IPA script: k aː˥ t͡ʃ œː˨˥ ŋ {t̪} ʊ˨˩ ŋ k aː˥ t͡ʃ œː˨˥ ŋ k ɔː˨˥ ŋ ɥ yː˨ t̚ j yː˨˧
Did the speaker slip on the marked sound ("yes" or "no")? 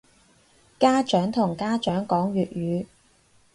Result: yes